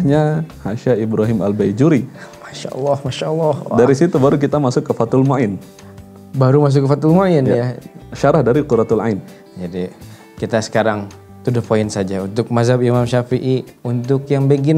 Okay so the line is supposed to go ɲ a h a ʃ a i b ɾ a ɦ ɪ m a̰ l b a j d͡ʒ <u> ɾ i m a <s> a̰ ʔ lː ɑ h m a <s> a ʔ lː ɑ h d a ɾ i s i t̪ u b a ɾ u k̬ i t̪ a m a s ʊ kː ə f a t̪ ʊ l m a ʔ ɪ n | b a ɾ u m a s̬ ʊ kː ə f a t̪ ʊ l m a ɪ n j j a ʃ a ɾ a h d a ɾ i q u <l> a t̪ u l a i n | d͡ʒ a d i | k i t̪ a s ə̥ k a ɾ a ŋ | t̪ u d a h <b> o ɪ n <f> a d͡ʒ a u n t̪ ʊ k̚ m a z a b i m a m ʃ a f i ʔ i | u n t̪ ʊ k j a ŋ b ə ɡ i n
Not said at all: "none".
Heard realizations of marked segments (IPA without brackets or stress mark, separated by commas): u, ʃ, ʃ, ɾ, p, s